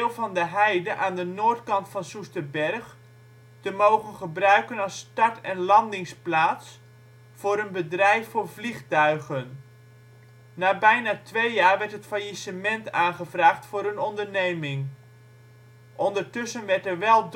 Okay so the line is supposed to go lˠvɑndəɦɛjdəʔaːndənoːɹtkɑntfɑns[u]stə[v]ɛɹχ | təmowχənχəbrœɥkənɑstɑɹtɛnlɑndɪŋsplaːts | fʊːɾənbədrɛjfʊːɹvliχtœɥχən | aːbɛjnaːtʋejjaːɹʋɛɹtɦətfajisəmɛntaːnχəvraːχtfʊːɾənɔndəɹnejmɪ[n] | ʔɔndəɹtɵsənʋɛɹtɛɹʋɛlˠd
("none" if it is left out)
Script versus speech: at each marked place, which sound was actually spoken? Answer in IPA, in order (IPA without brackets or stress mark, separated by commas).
u, b, ŋ